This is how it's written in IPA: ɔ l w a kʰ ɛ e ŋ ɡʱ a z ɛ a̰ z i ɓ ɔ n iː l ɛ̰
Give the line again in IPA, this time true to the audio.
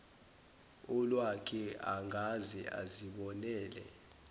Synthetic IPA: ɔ l w a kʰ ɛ a ŋ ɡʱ a z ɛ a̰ z i ɓ ɔ n ɛː l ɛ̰